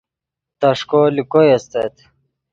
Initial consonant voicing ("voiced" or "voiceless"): voiceless